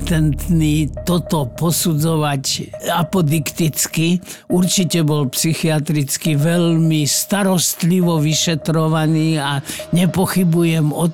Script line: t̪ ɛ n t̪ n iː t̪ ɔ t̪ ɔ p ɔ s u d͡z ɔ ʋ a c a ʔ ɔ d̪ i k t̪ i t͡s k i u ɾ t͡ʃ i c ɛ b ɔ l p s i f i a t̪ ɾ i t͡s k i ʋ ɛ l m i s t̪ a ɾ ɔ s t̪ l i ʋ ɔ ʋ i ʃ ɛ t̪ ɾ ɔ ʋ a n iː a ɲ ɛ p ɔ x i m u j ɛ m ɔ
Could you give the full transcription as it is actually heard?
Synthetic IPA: t̪ ɛ n t̪ n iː t̪ ɔ t̪ ɔ p ɔ s u d͡z ɔ ʋ a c a p ɔ d̪ i k t̪ i t͡s k i u ɾ t͡ʃ i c ɛ b ɔ l p s i x i a t̪ ɾ i t͡s k i ʋ ɛ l m i s t̪ a ɾ ɔ s t̪ l i ʋ ɔ ʋ i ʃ ɛ t̪ ɾ ɔ ʋ a n iː a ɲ ɛ p ɔ x i b u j ɛ m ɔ